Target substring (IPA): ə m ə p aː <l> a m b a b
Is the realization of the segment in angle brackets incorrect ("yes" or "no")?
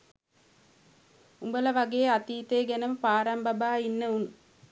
yes